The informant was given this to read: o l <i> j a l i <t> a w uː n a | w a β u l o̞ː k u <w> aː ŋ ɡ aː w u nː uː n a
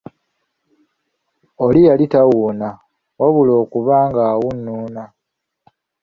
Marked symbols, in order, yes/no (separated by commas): yes, yes, no